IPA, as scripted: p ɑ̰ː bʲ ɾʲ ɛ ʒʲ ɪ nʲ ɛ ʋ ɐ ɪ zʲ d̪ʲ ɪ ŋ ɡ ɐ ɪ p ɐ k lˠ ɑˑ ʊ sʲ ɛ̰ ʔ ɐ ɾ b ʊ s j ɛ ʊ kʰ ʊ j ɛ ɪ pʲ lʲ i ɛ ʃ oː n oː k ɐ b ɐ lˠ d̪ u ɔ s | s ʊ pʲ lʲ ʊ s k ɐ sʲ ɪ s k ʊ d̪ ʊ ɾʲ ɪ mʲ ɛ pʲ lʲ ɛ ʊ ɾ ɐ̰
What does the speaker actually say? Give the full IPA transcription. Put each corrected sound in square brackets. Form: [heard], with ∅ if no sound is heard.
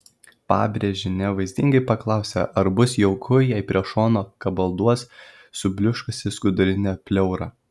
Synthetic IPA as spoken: p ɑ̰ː bʲ ɾʲ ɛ ʒʲ ɪ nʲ ɛ ʋ ɐ ɪ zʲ d̪ʲ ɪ ŋ ɡ ɐ ɪ p ɐ k lˠ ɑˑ ʊ sʲ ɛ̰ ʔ ɐ ɾ b ʊ s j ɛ ʊ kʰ ʊ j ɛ ɪ pʲ [ɾʲ] i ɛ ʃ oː n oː k ɐ b ɐ lˠ d̪ u ɔ s | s ʊ [bʲ] lʲ ʊ [ʃ] k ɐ sʲ ɪ s k ʊ d̪ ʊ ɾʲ ɪ [nʲ] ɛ pʲ lʲ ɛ ʊ ɾ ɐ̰